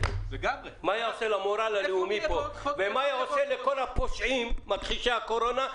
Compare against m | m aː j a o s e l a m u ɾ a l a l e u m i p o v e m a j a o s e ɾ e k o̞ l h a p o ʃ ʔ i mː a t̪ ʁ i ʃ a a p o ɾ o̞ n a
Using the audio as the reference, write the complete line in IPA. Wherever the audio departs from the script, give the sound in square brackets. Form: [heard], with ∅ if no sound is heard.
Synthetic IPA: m | m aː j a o s e l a m [o] ɾ a l a l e u m i p o v e m a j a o s e [l] e k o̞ l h a p o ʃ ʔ i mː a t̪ [χ] i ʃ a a [k] o ɾ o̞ n a